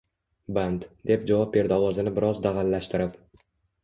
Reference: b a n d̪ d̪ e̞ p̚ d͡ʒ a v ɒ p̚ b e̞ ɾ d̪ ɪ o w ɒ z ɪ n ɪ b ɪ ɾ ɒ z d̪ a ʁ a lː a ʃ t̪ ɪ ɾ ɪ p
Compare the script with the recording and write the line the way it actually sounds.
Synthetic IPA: b a n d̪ d̪ e̞ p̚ d͡ʒ a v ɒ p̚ b e̞ ɾ d̪ ɪ ɒ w ɒ z ɪ n ɪ b ɪ ɾ ɒ z d̪ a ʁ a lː a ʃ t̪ ɪ ɾ ɪ p